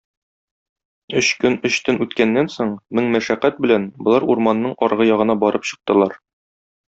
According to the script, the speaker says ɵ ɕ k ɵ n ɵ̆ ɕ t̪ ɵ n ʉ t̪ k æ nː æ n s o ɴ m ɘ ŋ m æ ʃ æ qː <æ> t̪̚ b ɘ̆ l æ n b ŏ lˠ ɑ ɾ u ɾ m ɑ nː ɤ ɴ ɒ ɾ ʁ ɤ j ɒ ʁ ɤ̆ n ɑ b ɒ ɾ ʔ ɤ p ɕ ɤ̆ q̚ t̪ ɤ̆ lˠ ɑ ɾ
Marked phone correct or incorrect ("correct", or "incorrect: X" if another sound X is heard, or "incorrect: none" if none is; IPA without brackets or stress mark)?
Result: correct